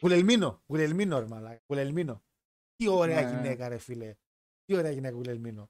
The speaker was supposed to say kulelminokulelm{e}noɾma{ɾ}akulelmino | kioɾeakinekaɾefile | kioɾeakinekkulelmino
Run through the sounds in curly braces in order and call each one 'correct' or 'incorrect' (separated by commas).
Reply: incorrect, incorrect